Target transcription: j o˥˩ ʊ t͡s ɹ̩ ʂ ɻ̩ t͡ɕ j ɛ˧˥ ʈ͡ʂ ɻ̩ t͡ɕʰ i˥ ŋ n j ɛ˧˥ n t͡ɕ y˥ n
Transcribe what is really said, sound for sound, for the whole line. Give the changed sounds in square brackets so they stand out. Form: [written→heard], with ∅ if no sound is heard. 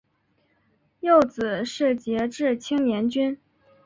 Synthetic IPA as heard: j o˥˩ ʊ t͡s ɹ̩ ʂ ɻ̩ t͡ɕ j ɛ˧˥ ʈ͡ʂ ɻ̩ t͡ɕʰ i˥ ŋ n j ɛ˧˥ n t͡ɕ y˥ n